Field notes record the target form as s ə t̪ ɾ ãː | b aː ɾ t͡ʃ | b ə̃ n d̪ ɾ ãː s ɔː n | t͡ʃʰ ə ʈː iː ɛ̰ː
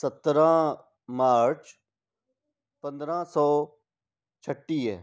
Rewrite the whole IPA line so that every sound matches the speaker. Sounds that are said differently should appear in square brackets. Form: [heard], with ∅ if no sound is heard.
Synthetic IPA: s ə t̪ ɾ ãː | [m] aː ɾ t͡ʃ | [p] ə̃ n d̪ ɾ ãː s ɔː [∅] | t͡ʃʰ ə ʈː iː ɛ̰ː

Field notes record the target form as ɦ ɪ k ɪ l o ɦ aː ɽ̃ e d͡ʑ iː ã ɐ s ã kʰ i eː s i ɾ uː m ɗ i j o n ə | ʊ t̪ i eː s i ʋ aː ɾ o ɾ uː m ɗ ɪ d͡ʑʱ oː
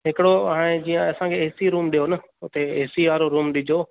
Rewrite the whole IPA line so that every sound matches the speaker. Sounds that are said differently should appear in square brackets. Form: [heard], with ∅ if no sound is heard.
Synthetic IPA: ɦ ɪ k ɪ [ɽ] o ɦ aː ɽ̃ e d͡ʑ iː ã ɐ s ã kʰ [e] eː s i ɾ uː m ɗ i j o n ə | ʊ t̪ [e] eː s i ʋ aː ɾ o ɾ uː m ɗ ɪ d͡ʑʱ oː

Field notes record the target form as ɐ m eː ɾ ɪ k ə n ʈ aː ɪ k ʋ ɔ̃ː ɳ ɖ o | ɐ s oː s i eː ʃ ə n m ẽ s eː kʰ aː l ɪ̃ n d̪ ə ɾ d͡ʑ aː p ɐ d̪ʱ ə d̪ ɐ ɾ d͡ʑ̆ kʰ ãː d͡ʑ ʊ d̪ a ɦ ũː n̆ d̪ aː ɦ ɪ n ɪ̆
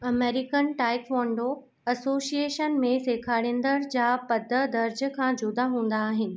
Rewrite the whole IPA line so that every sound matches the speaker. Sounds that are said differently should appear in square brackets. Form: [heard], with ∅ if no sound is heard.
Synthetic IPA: ɐ m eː ɾ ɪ k ə n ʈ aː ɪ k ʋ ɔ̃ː ɳ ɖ o | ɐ s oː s i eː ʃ ə n m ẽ s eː kʰ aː [ɽ] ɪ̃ n d̪ ə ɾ d͡ʑ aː p ɐ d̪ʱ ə d̪ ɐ ɾ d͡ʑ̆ kʰ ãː d͡ʑ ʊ d̪ a ɦ ũː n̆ d̪ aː ɦ ɪ n ɪ̆

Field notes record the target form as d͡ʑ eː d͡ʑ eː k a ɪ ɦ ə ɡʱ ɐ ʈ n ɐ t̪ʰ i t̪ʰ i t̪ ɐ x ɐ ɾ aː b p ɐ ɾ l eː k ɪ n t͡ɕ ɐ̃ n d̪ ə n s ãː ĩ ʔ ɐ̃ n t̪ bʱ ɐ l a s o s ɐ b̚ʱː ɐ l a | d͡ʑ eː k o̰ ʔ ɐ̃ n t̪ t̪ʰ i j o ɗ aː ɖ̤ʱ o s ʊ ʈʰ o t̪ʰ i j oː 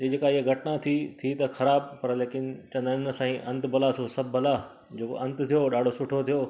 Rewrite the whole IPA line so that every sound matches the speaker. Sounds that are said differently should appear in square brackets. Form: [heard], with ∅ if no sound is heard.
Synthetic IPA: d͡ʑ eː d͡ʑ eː k a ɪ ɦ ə ɡʱ ɐ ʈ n [a] t̪ʰ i t̪ʰ i t̪ ɐ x ɐ ɾ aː b p ɐ ɾ l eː k ɪ n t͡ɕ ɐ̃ n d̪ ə n s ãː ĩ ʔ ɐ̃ n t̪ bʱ ɐ l a s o s ɐ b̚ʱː ɐ l a | d͡ʑ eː k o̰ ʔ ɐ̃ n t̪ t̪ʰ i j o ɗ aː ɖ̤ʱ o s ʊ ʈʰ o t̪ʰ i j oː

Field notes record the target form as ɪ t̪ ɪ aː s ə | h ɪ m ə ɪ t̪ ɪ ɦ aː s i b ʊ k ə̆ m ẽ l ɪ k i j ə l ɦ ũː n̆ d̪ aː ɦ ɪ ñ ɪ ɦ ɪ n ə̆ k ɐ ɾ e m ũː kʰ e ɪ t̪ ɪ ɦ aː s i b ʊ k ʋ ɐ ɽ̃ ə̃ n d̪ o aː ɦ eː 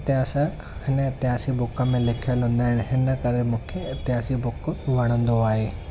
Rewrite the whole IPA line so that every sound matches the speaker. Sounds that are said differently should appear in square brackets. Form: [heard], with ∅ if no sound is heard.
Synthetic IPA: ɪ t̪ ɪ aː s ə | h ɪ [n] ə ɪ t̪ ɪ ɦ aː s i b ʊ k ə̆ m ẽ l ɪ [kʰ] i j ə l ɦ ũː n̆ d̪ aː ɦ ɪ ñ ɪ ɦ ɪ n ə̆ k ɐ ɾ e m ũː kʰ e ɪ t̪ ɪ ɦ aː s i b ʊ k ʋ ɐ ɽ̃ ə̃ n d̪ o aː ɦ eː

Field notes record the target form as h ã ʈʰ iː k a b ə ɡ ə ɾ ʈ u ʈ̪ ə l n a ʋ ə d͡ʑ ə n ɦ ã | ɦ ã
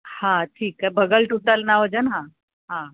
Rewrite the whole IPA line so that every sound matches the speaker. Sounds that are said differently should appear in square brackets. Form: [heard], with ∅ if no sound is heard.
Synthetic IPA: h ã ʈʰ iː k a b ə ɡ ə [l] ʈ u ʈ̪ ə l n a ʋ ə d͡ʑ ə n ɦ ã | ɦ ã

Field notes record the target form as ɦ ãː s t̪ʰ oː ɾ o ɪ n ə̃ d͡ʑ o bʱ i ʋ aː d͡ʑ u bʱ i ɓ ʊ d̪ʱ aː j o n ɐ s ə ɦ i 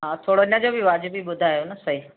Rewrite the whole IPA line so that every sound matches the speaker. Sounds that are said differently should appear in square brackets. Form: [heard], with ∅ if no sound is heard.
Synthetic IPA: ɦ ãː [∅] t̪ʰ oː [ɽ] o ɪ n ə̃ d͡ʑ o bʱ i ʋ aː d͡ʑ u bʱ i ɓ ʊ d̪ʱ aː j o n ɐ s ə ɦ i

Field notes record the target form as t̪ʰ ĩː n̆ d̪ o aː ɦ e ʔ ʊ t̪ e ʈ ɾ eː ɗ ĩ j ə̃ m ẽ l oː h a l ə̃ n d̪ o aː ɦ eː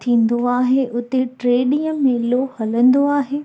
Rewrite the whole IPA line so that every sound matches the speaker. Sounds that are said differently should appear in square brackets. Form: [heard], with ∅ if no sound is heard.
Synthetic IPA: t̪ʰ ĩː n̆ d̪ o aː ɦ e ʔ ʊ t̪ e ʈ ɾ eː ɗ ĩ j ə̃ m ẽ l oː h [ɐ] l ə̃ n d̪ o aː ɦ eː

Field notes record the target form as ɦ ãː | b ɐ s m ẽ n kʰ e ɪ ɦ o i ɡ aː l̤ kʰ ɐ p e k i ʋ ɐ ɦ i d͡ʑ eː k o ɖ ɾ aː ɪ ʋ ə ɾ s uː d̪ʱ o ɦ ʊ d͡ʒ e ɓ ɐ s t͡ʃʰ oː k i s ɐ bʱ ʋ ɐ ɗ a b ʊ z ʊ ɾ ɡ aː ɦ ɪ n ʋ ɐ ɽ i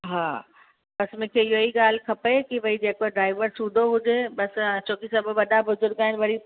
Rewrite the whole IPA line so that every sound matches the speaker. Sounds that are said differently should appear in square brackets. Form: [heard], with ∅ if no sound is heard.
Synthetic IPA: ɦ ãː | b ɐ s m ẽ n kʰ e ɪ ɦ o i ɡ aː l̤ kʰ ɐ p e k i ʋ ɐ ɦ i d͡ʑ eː k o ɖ ɾ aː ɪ ʋ ə ɾ s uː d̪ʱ o ɦ ʊ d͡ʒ e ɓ ɐ s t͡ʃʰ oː k i s ɐ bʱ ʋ ɐ ɗ a b ʊ z ʊ ɾ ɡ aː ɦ ɪ n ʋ ɐ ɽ i

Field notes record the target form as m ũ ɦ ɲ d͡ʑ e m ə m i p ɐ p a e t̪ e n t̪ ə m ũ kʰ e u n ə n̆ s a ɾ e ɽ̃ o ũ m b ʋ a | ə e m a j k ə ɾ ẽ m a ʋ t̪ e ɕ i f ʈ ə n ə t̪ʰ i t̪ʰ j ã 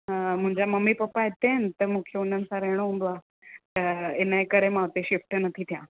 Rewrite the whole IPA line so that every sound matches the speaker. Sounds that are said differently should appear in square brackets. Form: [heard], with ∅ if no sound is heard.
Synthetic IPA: m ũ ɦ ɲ d͡ʑ [a] m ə m i p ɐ p a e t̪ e n t̪ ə m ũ kʰ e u n ə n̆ s a ɾ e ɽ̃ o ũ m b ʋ a | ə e [n] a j k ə ɾ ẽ m a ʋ t̪ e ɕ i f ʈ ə n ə t̪ʰ i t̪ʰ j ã

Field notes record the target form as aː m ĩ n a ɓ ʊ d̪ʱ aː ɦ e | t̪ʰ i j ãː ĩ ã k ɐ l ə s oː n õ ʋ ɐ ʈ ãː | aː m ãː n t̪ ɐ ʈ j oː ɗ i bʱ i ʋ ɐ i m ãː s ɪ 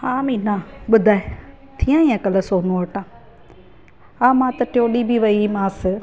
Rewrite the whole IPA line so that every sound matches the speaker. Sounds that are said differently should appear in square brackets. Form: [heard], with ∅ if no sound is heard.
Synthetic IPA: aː m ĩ n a ɓ ʊ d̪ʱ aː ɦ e | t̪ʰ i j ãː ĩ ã k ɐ l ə s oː n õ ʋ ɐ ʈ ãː | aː m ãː [∅] t̪ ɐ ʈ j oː ɗ i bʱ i ʋ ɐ i m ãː s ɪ

